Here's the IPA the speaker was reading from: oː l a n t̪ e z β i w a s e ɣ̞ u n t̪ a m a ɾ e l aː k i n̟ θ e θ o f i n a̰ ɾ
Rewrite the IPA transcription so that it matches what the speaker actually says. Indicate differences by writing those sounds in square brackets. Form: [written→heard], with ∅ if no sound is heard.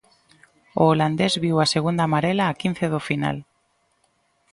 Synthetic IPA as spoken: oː l a n [t̪→d̪] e z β i w a s e ɣ̞ u n [t̪→d̪] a m a ɾ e l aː k i n̟ θ e [θ→ð] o f i n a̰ [ɾ→l]

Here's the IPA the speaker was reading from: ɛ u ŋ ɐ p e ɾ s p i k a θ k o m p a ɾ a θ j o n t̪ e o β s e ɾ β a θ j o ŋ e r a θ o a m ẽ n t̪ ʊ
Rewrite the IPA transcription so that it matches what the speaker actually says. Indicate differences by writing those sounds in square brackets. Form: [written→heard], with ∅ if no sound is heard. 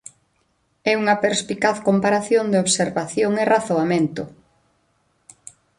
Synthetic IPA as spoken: ɛ u ŋ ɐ p e ɾ s p i k a θ k o m p a ɾ a θ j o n [t̪→d̪] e o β s e ɾ β a θ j o ŋ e r a θ o a m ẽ n t̪ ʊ

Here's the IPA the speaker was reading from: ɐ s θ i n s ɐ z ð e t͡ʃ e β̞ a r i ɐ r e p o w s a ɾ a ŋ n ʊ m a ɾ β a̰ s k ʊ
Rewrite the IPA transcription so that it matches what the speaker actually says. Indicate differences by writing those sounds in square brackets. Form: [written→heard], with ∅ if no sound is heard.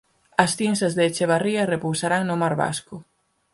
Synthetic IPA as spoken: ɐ s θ i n s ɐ z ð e t͡ʃ e β̞ a r i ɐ r e p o w s a ɾ a ŋ n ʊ m a ɾ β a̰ s k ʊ

